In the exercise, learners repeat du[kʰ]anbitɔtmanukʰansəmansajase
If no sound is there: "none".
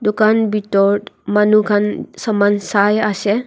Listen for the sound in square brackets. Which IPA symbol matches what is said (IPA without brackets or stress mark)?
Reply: k